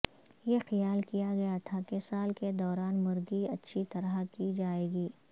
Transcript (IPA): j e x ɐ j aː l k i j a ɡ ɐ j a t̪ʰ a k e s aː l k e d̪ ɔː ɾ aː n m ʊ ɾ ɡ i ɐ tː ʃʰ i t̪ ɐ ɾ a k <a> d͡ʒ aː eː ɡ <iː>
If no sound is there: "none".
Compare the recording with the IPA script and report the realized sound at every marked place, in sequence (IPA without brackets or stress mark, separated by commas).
i, iː